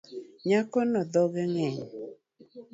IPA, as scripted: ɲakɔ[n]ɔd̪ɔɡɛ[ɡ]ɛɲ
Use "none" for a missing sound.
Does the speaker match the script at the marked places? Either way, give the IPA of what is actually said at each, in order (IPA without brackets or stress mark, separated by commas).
n, ŋ